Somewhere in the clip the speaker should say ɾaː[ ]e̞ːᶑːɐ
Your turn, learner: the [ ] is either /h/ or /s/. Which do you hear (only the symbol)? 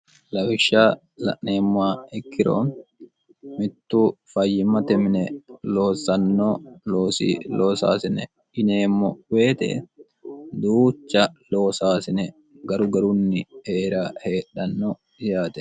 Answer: h